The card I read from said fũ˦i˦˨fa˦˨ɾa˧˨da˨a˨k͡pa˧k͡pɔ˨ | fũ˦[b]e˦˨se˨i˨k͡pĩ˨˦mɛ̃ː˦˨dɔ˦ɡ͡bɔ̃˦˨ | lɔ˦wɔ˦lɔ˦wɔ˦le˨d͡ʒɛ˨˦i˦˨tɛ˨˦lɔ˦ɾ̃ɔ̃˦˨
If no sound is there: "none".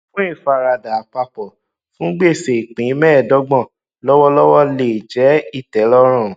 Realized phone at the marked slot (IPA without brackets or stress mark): ɡ͡b